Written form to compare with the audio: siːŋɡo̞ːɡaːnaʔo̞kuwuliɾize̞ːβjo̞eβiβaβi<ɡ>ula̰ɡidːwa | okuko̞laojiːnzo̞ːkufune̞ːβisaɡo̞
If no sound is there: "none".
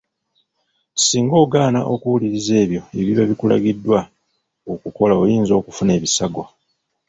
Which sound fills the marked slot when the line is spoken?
k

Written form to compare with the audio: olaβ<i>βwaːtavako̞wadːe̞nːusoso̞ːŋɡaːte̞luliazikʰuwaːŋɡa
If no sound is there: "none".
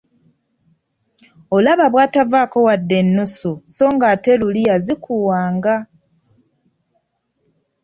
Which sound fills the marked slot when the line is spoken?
a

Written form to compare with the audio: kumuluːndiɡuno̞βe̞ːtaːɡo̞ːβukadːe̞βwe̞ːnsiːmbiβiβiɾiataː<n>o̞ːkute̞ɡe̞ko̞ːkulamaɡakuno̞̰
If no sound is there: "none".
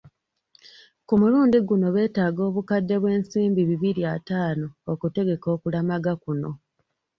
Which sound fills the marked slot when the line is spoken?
n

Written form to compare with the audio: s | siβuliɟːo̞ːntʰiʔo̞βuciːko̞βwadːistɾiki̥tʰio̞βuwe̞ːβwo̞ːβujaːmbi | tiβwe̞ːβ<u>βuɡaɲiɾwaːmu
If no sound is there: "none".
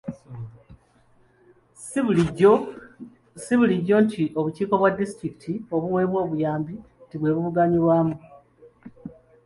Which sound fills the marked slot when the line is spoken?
u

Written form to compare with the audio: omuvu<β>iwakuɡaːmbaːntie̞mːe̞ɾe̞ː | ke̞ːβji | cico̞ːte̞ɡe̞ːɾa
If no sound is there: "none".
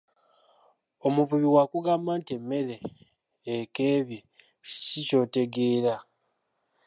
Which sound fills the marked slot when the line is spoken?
β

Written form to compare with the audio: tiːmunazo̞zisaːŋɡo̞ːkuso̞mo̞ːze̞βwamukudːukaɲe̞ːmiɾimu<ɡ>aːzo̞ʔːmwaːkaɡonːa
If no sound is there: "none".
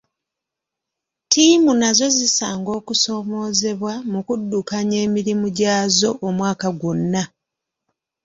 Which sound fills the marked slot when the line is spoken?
ɟ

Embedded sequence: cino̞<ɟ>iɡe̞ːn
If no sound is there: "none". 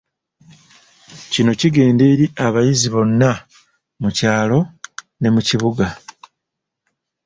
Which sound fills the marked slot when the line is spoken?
c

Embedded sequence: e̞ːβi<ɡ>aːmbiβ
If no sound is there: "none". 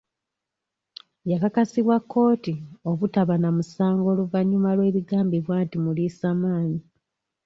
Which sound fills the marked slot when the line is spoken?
ɡ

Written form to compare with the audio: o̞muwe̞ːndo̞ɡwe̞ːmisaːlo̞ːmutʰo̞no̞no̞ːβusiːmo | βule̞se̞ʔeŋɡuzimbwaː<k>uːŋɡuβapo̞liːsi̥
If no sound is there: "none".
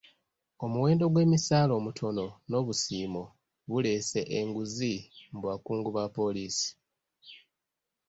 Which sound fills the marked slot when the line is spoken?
k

